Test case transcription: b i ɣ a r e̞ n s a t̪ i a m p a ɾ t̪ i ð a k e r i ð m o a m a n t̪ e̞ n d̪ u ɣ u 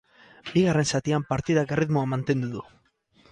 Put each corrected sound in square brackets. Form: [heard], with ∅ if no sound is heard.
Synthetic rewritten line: b i ɣ a r e̞ n s a t̪ i a m p a ɾ t̪ i ð a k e r i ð m o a m a n t̪ e̞ n d̪ u [ð] u